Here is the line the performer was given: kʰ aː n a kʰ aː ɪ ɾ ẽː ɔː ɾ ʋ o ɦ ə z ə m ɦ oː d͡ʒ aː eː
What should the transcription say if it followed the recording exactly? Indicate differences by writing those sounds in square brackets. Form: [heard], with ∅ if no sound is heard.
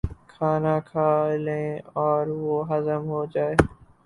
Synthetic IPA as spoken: kʰ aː n a kʰ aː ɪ [l] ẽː ɔː ɾ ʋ o ɦ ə z ə m ɦ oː d͡ʒ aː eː